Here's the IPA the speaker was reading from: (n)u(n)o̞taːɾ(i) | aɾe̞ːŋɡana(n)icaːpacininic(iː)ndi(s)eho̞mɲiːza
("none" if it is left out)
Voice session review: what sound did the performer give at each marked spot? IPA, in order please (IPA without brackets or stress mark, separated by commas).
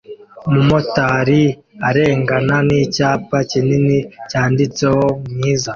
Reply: m, m, i, n, aː, t͡s